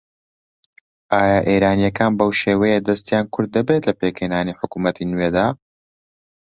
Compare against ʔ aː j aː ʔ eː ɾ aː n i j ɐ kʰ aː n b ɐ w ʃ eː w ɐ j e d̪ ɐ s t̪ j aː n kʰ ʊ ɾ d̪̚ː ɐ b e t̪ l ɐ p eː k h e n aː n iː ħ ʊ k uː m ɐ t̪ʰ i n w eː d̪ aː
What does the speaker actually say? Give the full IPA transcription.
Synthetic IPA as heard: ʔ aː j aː ʔ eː ɾ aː n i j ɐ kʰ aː n b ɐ w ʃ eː w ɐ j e d̪ ɐ s t̪ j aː n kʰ ʊ ɾ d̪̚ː ɐ b e t̪ l ɐ p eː k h e n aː n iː ħ ʊ k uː m ɐ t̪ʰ i n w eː d̪ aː